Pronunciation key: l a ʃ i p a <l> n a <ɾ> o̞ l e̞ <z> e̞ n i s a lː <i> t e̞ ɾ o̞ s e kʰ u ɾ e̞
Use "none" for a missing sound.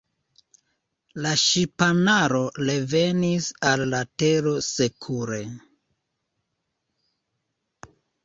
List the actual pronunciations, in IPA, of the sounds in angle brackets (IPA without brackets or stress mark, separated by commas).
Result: none, ɾ, v, a